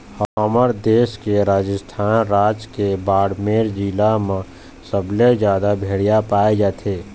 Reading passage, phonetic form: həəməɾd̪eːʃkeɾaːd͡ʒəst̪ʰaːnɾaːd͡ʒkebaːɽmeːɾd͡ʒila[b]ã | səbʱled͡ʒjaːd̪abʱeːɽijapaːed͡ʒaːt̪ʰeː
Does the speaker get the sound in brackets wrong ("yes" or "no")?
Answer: yes